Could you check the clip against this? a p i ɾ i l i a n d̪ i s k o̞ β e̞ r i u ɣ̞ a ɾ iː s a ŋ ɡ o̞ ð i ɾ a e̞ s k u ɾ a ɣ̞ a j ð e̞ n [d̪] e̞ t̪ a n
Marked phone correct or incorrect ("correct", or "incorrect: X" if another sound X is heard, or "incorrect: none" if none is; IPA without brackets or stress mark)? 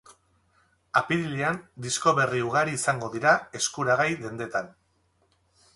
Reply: correct